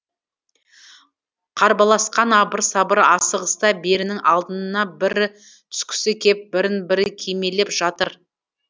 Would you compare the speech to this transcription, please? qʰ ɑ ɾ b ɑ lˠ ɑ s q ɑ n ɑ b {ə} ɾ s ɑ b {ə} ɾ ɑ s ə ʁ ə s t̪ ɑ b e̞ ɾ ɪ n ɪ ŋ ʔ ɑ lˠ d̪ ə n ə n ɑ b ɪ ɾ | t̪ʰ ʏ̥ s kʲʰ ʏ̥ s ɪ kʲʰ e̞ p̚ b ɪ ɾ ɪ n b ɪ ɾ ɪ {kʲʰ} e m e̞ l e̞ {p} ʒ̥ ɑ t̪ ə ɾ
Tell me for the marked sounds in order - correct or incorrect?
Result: correct, correct, correct, correct

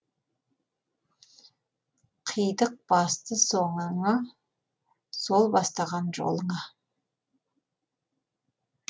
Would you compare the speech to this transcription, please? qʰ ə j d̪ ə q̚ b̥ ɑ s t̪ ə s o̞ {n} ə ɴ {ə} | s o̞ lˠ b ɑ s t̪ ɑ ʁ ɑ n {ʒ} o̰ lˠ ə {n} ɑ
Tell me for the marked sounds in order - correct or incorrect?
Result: incorrect: ɴ, incorrect: ɑ, correct, incorrect: ɴ

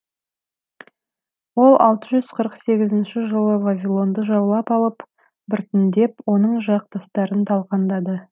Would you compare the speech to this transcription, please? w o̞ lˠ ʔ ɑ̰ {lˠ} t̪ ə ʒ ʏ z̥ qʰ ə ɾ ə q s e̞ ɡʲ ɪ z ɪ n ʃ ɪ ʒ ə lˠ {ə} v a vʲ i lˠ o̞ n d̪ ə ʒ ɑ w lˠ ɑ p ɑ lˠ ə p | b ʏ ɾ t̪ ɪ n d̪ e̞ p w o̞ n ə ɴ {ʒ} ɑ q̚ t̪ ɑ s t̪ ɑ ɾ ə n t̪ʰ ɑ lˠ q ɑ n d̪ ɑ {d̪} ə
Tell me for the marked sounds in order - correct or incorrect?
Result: correct, correct, correct, correct

